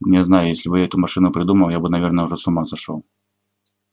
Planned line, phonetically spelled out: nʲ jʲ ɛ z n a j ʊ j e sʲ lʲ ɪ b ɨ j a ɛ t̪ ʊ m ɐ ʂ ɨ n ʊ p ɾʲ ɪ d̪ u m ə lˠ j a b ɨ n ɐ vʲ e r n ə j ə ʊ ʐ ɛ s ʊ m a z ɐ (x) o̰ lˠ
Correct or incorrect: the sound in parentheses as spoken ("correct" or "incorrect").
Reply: incorrect